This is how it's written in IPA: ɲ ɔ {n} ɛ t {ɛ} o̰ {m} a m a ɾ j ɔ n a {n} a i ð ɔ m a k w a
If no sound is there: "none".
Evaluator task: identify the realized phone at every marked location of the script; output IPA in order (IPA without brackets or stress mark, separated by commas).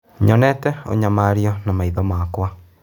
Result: n, ɛ, ɲ, m